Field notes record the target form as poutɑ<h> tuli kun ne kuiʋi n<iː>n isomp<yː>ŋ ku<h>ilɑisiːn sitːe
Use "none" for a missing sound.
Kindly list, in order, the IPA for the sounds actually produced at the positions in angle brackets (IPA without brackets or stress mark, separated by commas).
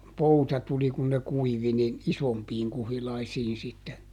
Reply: none, i, iː, h